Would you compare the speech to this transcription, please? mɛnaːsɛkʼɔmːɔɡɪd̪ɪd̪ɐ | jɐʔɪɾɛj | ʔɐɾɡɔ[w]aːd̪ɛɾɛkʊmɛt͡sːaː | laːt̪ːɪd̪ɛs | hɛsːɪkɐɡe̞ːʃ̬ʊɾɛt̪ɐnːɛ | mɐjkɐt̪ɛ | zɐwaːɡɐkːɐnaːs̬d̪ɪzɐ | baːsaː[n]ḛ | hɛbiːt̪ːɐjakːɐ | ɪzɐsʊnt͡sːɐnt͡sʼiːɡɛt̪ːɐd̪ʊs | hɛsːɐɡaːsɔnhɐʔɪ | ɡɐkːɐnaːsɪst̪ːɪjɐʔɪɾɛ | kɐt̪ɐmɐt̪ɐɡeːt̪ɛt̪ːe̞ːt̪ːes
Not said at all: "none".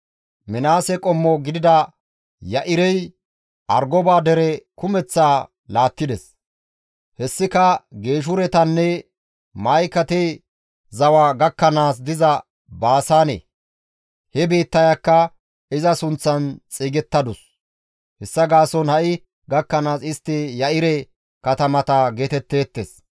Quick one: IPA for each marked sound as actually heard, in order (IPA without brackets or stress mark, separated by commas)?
b, n